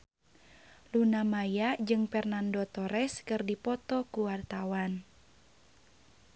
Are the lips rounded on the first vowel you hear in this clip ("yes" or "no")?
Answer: yes